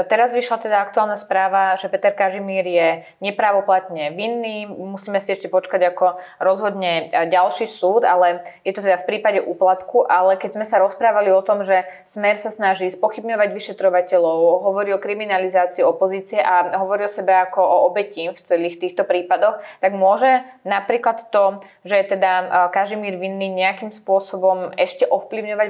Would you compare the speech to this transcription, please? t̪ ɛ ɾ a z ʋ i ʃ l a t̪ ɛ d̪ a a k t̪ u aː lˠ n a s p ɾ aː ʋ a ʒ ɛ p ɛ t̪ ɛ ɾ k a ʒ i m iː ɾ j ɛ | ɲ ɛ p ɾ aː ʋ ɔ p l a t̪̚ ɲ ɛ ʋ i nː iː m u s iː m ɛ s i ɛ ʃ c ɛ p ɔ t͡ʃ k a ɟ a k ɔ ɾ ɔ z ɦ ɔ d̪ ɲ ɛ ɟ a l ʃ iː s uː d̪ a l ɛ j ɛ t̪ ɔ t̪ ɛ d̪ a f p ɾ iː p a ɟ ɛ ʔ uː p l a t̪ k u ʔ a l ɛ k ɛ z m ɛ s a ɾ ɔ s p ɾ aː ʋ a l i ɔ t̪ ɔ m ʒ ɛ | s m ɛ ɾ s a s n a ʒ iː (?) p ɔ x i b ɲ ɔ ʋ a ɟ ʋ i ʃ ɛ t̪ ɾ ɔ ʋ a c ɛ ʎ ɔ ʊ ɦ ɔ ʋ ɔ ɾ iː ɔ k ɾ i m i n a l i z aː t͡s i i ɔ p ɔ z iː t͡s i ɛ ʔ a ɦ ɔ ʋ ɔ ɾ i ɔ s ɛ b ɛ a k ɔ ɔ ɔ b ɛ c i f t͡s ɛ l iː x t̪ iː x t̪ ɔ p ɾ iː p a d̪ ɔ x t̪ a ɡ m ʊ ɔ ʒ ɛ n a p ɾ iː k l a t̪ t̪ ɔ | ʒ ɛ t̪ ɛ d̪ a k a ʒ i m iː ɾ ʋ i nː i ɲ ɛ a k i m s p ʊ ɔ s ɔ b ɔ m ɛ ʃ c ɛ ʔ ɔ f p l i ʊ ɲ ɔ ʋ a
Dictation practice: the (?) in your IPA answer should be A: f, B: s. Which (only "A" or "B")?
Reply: B